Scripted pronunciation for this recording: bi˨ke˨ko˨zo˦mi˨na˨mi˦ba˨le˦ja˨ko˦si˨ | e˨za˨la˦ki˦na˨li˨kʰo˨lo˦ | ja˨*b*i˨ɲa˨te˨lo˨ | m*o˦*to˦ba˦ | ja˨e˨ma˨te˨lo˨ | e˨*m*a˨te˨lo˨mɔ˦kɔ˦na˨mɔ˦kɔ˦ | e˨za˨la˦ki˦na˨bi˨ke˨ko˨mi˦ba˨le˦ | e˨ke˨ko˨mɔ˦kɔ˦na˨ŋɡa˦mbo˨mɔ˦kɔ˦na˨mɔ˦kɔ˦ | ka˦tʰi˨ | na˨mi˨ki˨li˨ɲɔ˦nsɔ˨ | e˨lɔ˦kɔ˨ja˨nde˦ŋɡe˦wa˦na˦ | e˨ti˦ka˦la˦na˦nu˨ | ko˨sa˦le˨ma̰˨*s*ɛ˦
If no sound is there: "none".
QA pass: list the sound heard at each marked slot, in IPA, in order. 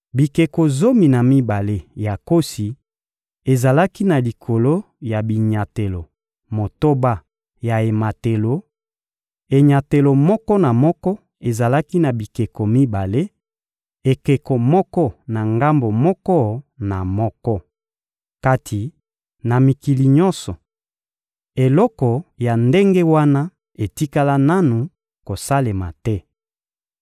b, o˨, ɲ, t

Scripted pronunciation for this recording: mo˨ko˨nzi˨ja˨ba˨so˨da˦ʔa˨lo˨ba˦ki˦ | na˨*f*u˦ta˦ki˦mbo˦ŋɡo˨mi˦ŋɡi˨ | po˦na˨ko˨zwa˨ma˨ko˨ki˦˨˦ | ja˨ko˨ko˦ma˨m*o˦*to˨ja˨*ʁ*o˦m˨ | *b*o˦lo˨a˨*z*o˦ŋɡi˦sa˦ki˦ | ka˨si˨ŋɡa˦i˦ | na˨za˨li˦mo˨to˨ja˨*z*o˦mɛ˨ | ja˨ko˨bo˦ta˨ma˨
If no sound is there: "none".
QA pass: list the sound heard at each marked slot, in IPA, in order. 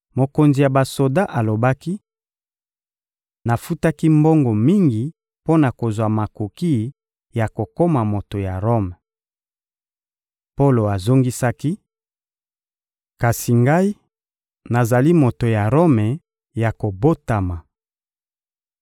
f, o˨, ʁ, p, z, ʁ

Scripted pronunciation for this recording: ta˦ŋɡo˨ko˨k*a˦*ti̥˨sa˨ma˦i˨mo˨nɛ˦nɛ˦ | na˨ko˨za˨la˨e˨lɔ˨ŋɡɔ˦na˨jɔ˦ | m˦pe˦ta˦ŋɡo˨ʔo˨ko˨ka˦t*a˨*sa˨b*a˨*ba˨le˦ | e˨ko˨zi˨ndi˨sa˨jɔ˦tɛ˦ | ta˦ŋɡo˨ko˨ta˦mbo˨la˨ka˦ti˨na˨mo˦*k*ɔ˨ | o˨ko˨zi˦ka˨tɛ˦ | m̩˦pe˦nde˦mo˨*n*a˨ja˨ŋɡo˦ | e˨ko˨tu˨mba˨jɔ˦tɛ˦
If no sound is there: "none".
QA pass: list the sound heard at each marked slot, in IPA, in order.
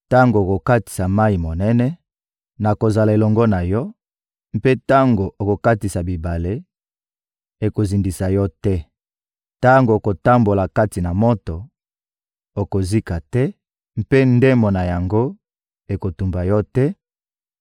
a˦, i˨, i˨, t, n

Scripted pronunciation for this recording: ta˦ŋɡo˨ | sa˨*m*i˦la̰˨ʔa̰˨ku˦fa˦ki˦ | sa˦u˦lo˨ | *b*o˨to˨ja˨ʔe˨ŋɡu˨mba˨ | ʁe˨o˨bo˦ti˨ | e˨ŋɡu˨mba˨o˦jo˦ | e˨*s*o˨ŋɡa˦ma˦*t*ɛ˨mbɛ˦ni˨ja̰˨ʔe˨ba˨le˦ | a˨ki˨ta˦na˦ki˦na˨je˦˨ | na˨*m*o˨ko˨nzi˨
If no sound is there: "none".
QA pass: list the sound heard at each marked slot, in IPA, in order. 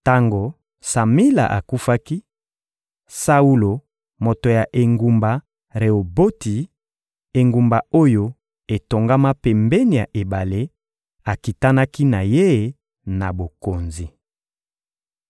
m, m, t, p, b

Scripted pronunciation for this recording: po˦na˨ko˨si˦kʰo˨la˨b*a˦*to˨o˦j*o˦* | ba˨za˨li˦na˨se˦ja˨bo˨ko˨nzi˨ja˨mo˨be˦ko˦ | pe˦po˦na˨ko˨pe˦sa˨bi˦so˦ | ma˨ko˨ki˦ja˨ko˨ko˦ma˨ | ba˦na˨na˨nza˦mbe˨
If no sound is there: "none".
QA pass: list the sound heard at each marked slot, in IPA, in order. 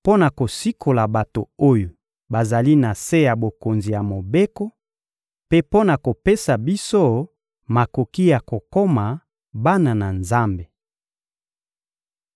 a˨, o˨

